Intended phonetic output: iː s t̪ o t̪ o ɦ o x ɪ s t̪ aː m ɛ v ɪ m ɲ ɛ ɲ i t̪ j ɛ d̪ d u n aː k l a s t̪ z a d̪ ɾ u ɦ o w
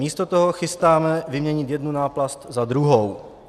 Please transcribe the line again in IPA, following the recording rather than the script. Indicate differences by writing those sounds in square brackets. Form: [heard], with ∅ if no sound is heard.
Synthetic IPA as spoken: iː s t̪ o t̪ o ɦ o x ɪ s t̪ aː m ɛ v ɪ m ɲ ɛ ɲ [ɪ] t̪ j ɛ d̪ [n] u n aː [p] l a s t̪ z a d̪ ɾ u ɦ o w